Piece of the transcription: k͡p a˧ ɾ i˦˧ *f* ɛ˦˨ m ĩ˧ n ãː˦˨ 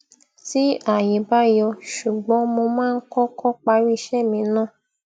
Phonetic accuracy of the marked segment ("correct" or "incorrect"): incorrect